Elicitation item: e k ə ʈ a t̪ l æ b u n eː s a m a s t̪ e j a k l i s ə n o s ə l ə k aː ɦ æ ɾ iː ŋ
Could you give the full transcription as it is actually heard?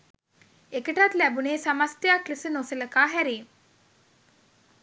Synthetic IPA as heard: e k ə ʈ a t̪ l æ b u n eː s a m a s t̪ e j a k l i s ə n o s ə l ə k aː ɦ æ ɾ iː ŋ